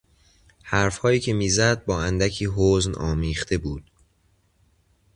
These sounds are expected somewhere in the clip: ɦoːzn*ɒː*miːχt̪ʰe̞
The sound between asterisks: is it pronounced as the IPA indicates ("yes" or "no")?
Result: yes